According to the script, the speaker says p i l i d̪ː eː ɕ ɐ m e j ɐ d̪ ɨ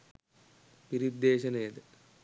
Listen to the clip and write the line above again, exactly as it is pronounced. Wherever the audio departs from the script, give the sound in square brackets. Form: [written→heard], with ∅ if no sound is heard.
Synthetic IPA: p i [l→ɾ] i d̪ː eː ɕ ɐ [m→n] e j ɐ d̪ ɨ